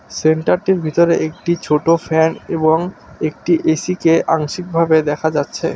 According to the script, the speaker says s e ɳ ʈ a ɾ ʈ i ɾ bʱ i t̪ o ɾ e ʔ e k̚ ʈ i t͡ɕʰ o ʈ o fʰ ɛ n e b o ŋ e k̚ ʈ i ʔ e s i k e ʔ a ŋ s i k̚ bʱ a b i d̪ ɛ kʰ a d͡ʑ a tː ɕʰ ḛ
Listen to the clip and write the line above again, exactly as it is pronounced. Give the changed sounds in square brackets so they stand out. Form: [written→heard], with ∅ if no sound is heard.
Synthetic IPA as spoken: s e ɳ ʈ a ɾ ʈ i ɾ bʱ i t̪ o ɾ e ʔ e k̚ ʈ i t͡ɕʰ o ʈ o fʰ ɛ n e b o ŋ e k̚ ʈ i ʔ e s i k e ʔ a ŋ [s→ʃ] i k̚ bʱ a b [i→e] d̪ ɛ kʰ a d͡ʑ a tː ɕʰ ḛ